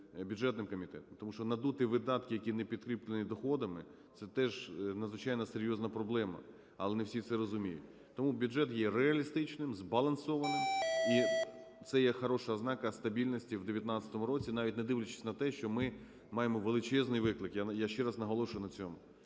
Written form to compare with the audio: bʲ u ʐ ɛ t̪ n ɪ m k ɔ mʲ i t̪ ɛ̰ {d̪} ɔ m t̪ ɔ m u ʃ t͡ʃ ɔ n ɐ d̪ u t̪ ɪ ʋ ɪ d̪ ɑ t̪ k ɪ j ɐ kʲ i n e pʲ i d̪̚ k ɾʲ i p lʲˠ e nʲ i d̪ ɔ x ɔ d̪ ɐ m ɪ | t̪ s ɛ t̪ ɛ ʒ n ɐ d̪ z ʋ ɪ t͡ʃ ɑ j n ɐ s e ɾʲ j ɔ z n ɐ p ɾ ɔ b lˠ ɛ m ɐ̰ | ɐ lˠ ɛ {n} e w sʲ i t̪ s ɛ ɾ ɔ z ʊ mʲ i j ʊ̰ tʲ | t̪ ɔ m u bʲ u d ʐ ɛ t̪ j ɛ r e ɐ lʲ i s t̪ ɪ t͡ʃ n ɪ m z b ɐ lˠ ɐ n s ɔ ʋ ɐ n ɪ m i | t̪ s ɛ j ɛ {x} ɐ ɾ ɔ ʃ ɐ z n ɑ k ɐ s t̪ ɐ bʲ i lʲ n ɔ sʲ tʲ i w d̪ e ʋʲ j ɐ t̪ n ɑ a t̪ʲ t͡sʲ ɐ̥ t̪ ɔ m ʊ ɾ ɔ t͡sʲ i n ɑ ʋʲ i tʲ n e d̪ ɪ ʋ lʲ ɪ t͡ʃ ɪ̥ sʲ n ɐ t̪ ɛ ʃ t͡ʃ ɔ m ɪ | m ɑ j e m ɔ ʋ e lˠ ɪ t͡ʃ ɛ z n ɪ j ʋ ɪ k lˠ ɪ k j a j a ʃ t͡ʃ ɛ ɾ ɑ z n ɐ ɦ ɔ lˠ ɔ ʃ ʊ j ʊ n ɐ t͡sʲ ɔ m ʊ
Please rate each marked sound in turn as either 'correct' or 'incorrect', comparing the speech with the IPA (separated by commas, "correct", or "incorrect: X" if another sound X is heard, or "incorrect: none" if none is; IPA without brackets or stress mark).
incorrect: t̪, correct, correct